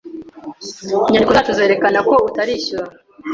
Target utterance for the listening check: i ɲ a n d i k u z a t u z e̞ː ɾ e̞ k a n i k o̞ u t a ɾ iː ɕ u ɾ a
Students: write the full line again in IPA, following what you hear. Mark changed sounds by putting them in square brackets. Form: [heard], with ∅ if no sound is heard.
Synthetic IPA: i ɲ a n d i k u z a t u z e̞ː ɾ e̞ k a n [a] k o̞ u t a ɾ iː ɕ u ɾ a